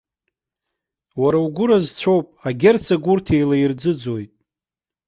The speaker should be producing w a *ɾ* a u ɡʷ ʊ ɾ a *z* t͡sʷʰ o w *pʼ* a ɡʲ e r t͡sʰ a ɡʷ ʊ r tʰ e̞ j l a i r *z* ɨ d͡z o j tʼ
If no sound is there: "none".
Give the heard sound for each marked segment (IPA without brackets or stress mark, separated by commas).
ɾ, z, pʼ, d͡z